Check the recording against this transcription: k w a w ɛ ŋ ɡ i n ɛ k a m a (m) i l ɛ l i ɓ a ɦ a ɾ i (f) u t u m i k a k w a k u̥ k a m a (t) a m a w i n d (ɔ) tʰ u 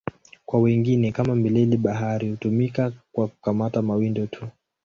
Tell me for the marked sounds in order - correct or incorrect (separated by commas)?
correct, incorrect, correct, correct